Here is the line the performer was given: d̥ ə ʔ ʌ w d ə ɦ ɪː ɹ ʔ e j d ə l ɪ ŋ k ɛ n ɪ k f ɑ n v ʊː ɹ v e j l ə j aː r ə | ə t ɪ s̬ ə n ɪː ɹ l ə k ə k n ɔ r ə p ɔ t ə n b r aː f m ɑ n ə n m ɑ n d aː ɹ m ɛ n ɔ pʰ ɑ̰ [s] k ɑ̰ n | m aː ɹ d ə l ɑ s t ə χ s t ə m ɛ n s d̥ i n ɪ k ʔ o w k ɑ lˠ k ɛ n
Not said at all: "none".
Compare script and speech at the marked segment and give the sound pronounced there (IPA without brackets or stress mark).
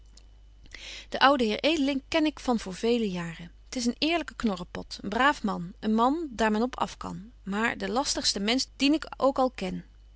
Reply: f